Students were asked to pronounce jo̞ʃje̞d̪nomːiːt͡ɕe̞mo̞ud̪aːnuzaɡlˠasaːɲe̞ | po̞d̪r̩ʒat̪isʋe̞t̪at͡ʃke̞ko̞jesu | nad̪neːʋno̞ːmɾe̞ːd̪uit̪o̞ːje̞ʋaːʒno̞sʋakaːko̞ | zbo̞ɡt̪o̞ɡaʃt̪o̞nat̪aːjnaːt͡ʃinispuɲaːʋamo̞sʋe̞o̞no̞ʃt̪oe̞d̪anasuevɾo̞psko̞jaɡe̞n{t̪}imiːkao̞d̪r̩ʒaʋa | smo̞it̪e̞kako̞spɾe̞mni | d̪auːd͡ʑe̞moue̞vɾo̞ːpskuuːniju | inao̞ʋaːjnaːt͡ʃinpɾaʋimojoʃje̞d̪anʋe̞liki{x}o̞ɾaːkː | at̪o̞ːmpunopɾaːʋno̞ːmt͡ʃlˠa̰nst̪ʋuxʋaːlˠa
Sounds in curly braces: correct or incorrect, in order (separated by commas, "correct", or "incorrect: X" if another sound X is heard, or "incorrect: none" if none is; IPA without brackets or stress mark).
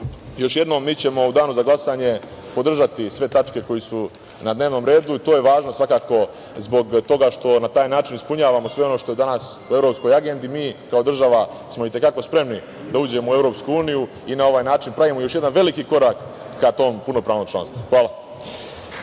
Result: incorrect: d̪, incorrect: k